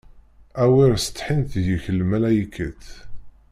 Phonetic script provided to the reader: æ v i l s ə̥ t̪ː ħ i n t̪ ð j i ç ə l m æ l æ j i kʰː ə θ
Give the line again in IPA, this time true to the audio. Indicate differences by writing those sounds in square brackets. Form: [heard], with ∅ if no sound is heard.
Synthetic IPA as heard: æ [w] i [ɾ] s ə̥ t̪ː ħ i n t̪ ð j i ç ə l m æ l æ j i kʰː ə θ